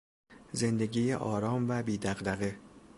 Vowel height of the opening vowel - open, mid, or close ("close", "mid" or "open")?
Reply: mid